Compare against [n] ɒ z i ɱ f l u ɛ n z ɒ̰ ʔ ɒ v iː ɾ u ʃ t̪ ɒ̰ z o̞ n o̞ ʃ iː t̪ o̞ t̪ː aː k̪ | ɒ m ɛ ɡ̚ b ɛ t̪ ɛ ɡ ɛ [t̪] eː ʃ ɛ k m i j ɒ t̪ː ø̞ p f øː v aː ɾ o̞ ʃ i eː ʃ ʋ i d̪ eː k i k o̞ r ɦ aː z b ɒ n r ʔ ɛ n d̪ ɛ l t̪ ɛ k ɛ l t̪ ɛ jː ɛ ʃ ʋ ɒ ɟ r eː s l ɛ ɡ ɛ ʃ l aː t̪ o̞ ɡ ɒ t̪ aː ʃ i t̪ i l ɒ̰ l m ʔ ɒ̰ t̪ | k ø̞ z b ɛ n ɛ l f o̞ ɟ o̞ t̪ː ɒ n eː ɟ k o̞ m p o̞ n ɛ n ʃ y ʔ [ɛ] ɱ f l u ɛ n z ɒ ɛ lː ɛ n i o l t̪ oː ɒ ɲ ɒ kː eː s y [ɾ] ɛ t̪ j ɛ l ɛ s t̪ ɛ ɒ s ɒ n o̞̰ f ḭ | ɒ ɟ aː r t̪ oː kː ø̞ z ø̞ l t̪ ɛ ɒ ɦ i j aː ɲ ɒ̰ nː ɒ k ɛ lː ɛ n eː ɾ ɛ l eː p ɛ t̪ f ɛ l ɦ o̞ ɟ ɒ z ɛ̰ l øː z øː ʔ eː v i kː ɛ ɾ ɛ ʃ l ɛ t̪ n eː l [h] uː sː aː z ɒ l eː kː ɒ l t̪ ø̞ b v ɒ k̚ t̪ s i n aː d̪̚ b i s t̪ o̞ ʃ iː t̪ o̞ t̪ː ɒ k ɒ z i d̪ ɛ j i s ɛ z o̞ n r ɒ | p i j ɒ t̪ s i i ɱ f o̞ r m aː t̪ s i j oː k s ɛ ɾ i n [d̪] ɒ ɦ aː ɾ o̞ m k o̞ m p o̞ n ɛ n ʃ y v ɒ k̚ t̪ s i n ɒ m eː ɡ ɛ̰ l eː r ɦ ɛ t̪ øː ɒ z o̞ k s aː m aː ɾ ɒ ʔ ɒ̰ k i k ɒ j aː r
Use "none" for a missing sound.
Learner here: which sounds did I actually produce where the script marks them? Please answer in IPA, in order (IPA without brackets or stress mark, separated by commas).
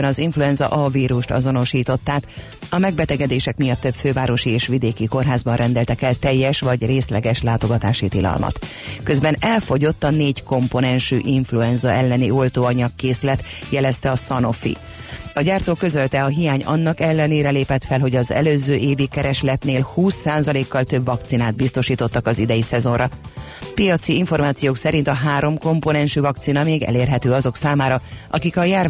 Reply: n, d̪, i, l, h, t̪